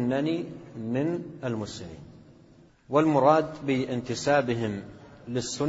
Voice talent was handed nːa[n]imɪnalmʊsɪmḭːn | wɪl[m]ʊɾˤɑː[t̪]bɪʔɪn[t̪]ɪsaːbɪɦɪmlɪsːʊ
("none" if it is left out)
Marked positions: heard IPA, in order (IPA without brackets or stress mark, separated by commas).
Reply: n, m, d̪, t̪